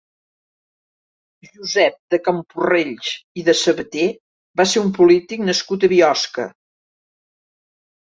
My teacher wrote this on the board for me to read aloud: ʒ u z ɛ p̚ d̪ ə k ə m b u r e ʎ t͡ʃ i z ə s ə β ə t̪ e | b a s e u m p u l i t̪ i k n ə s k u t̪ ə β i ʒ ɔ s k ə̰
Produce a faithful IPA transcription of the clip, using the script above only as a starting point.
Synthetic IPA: ʒ u z ɛ p̚ d̪ ə k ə m p u r e ʎ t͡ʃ i ð ə s ə β ə t̪ e | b a s e u m p u l i t̪ i k n ə s k u t̪ ə β i ɔ s k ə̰